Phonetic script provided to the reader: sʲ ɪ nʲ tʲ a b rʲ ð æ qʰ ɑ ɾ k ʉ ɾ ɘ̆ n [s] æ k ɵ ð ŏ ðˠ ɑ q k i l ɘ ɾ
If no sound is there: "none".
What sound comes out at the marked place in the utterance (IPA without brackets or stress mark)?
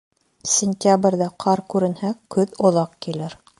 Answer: h